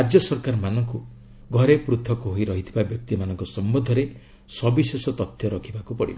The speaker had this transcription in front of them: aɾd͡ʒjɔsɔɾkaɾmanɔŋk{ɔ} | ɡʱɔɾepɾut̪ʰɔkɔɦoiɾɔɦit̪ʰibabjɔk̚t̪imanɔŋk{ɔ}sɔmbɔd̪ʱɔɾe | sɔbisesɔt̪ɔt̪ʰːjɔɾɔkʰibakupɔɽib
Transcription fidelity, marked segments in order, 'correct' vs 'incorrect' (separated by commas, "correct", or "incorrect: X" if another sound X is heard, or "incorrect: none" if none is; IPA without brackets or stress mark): incorrect: u, correct